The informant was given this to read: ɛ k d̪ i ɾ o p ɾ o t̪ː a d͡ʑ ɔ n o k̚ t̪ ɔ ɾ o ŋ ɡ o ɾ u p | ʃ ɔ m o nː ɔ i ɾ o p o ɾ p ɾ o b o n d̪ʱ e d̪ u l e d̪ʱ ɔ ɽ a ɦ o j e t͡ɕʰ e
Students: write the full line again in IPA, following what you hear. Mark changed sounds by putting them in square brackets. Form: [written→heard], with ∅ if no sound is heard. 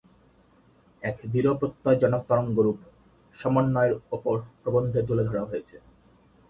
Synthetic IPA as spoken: ɛ k d̪ i ɾ o p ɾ o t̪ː a d͡ʑ ɔ n o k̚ t̪ ɔ ɾ o ŋ ɡ o ɾ u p | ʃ ɔ m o nː ɔ [i→e] ɾ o p o ɾ p ɾ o b o n d̪ʱ e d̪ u l e d̪ʱ ɔ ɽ a ɦ o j e t͡ɕʰ e